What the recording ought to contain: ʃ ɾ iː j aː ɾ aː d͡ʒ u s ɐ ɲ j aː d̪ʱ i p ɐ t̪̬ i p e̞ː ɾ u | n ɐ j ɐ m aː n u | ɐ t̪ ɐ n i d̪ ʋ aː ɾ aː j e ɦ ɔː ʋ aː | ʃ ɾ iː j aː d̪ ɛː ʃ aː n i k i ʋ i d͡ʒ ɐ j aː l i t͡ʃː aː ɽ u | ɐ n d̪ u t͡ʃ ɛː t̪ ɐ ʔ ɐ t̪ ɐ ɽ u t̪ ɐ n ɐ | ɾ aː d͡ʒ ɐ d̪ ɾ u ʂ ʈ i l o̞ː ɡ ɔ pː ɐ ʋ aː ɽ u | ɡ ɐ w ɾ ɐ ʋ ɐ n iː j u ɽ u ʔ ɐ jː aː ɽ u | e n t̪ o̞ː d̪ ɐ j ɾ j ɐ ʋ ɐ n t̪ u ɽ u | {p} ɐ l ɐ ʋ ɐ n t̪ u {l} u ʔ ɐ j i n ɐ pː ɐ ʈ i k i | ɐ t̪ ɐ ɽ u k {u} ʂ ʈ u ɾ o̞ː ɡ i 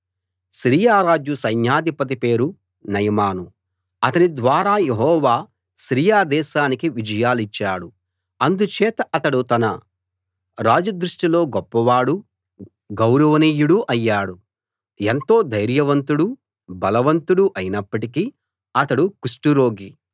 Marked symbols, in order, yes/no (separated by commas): no, no, yes